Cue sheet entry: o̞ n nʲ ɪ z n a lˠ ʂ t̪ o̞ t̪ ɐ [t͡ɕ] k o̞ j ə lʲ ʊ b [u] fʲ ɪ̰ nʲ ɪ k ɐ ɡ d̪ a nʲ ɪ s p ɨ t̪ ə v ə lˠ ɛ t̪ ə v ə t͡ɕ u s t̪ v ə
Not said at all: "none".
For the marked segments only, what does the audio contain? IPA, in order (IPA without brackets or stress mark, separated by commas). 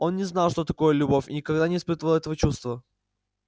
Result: none, o